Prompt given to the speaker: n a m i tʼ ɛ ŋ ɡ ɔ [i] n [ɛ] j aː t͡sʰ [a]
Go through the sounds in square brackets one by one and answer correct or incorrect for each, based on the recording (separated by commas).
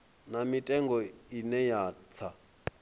correct, correct, correct